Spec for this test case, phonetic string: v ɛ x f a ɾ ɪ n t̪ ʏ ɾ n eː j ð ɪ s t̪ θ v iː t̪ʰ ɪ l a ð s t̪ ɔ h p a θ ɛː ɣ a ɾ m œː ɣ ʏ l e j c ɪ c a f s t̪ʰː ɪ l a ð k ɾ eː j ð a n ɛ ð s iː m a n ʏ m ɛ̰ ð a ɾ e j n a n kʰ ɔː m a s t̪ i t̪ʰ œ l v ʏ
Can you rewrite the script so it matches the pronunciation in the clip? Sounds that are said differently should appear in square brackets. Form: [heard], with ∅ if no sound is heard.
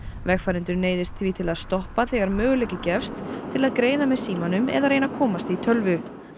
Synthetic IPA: v ɛ x f a ɾ ɪ n t̪ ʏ ɾ n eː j ð ɪ s t̪ θ v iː t̪ʰ ɪ l a ð s t̪ ɔ h p a θ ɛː ɣ a ɾ m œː ɣ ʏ l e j c ɪ c [ɛ] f s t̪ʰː ɪ l a ð k ɾ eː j ð a [m] ɛ ð s iː m a n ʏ m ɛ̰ ð a ɾ e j n a [∅] kʰ ɔː m a s t̪ i t̪ʰ œ l v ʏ